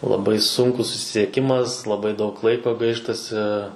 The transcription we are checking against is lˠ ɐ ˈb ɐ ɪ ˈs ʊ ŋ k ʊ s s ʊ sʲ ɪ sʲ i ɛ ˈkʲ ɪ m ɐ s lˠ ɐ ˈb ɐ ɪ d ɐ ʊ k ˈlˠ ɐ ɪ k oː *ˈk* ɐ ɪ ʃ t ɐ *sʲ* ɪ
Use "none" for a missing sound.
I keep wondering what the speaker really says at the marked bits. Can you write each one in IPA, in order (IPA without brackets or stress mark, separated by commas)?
ɡ, sʲ